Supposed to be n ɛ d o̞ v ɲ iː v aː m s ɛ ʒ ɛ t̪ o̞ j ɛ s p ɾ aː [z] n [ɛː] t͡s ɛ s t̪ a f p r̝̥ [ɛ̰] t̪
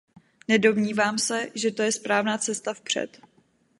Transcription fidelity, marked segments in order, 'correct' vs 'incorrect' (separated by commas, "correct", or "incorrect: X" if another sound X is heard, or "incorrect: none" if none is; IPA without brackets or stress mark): incorrect: v, incorrect: aː, correct